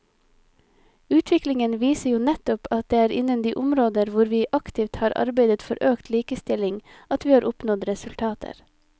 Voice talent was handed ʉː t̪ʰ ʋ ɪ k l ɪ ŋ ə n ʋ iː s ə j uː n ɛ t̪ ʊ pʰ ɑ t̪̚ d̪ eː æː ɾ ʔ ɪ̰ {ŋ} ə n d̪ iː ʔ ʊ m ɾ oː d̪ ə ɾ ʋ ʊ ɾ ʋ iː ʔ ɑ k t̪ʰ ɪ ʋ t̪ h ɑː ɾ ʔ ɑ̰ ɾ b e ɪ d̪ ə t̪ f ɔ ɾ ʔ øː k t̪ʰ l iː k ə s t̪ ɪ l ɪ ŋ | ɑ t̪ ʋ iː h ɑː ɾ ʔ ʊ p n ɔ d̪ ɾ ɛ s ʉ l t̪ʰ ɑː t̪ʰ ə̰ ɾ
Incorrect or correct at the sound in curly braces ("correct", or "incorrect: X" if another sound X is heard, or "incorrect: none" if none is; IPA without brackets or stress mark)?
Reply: incorrect: n